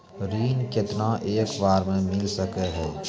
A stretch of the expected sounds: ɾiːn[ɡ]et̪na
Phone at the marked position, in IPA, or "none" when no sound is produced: k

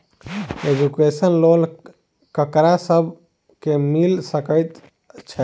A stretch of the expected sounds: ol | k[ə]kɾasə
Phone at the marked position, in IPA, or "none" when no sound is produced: ə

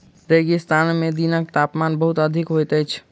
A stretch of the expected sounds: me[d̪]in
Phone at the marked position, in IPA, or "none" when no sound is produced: d̪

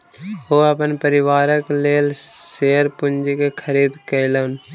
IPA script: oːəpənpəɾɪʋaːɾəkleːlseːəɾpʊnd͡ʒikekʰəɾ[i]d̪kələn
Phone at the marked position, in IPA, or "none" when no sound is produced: iː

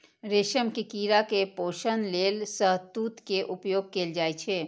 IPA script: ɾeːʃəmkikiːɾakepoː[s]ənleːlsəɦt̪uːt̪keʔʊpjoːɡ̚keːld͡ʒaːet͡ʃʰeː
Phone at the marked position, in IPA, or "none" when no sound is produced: ʃ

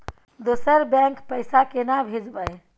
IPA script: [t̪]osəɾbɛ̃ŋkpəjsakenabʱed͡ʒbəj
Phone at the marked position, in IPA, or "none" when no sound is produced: d̪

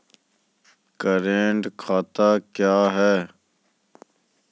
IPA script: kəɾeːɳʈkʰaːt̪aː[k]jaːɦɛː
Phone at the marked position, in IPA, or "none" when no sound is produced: k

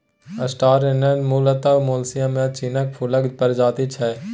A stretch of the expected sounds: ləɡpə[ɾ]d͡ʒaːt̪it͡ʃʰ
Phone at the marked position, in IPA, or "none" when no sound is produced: ɾ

